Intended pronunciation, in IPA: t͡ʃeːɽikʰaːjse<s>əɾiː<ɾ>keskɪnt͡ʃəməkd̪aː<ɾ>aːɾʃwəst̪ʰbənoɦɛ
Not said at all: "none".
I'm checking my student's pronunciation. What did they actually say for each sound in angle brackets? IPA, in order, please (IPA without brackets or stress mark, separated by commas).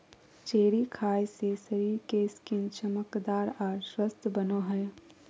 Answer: s, ɾ, ɾ